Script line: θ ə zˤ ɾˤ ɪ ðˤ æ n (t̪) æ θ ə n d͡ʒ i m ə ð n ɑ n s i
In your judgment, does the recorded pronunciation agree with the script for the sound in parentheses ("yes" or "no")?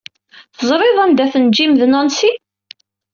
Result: no